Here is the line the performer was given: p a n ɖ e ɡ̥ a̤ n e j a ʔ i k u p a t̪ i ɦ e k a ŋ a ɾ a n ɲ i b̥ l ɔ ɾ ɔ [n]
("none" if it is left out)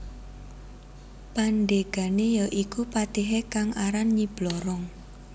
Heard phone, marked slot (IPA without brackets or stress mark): ŋ